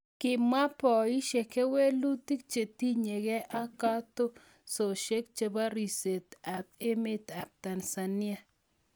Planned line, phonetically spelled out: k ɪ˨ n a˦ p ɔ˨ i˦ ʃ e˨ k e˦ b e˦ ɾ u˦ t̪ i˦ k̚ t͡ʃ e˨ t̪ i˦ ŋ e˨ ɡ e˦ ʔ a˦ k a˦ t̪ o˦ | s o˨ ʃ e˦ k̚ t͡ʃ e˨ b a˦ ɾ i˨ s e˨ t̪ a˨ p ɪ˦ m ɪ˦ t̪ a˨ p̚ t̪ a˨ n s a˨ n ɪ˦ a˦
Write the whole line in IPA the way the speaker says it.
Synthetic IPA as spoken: k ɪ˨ m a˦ p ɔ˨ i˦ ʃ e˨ k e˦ w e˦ l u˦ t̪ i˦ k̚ t͡ʃ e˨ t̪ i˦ ɲ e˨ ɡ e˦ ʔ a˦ k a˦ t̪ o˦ | s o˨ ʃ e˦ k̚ t͡ʃ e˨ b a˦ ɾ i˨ s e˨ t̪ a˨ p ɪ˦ m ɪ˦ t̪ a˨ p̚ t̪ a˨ n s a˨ n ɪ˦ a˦